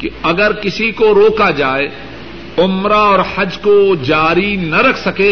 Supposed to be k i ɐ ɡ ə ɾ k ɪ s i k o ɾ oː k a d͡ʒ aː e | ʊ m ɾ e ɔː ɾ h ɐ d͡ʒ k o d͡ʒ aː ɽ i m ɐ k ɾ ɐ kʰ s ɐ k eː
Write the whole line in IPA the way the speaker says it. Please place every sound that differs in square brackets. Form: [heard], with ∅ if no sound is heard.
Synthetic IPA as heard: k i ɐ ɡ ə ɾ k ɪ s i k o ɾ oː k a d͡ʒ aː e | ʊ m ɾ [a] ɔː ɾ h ɐ d͡ʒ k o d͡ʒ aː [ɾ] i [n] ɐ [∅] ɾ ɐ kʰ s ɐ k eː